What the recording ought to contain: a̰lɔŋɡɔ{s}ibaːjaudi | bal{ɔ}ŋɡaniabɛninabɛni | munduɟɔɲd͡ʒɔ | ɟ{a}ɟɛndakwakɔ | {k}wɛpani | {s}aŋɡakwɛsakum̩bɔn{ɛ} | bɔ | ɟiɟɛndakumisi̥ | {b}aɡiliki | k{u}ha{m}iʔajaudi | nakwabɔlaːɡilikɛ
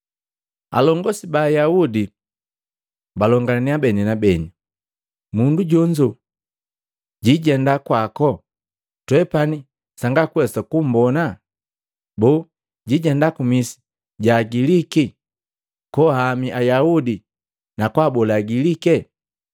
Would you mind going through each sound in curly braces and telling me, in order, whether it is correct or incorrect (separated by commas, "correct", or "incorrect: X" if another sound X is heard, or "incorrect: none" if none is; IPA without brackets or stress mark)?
correct, correct, incorrect: i, incorrect: t, correct, incorrect: a, incorrect: ɟ, incorrect: ɔ, correct